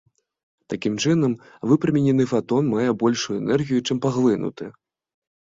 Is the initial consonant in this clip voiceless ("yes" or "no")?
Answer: yes